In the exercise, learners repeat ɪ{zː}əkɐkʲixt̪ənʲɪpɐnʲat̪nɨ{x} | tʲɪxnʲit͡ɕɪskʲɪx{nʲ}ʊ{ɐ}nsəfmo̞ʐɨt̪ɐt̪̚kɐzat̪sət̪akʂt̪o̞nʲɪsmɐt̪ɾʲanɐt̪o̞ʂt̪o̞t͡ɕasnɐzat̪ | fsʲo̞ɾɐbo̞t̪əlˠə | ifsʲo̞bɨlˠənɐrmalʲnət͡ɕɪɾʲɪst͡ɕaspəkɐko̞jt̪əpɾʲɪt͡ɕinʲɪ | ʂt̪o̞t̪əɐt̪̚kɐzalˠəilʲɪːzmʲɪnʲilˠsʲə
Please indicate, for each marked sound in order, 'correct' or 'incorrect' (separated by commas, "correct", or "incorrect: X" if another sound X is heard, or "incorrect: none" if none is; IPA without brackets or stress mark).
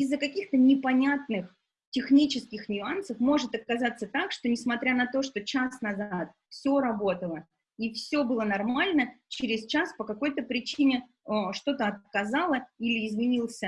correct, correct, correct, incorrect: a